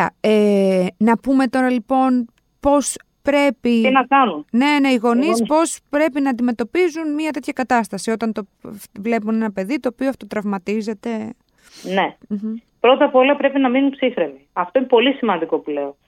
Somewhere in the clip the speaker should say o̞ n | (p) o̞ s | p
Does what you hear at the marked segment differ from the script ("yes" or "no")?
no